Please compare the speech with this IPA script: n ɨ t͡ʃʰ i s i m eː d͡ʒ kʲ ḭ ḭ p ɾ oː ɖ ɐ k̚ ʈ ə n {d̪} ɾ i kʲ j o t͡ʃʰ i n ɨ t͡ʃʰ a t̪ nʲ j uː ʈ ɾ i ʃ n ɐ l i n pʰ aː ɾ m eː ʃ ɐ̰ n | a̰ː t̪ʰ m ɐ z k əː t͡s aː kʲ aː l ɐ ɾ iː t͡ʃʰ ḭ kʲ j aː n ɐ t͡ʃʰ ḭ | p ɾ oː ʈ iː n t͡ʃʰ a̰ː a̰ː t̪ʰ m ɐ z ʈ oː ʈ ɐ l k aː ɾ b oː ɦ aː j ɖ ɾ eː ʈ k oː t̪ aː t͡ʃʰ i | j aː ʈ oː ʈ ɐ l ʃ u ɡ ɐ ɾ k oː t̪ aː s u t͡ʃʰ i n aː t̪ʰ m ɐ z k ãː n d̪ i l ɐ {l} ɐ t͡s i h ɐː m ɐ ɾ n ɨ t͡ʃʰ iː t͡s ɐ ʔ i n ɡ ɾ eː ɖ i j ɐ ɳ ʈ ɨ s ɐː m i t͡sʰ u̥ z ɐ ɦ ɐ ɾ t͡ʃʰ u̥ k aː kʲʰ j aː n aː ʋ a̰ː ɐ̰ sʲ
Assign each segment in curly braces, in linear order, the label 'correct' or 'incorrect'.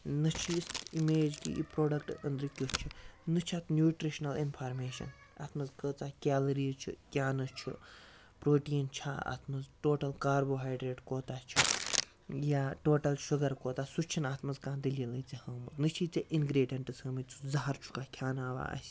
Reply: correct, correct

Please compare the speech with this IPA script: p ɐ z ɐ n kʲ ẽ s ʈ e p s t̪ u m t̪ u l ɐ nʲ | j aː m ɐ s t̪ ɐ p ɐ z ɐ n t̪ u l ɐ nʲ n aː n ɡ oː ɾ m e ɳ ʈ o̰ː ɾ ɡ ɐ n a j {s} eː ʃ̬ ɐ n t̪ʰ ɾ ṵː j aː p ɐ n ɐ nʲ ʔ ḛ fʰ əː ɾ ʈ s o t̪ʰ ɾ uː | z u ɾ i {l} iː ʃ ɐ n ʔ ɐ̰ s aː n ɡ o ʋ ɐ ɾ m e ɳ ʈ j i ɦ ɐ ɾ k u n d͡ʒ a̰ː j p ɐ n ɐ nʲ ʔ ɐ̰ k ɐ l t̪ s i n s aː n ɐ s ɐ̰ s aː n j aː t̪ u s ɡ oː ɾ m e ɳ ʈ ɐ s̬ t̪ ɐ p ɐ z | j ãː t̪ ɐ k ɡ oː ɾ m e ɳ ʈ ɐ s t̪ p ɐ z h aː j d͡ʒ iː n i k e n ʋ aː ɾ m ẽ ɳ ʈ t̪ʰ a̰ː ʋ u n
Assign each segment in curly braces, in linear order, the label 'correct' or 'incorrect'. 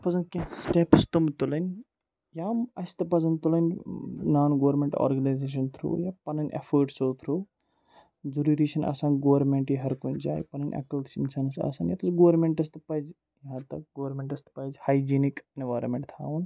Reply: incorrect: z, incorrect: ɾ

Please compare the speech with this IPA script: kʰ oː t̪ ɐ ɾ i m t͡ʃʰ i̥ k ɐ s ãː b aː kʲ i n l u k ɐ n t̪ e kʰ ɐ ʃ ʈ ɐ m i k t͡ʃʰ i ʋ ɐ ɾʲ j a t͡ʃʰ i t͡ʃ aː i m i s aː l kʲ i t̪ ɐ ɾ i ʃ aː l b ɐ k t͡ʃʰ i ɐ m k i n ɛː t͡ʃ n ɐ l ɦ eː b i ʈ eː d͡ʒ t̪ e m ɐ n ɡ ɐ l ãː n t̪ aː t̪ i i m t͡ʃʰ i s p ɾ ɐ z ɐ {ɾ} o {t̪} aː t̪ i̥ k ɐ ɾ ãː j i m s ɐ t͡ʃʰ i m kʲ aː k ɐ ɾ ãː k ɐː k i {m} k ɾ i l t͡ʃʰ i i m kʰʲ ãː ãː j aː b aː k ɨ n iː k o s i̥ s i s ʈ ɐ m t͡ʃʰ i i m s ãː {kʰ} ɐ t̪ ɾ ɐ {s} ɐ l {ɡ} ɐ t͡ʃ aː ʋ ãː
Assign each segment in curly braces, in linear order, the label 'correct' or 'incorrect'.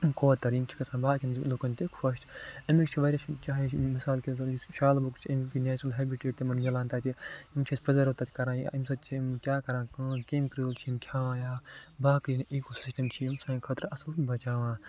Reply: correct, correct, correct, correct, correct, incorrect: b

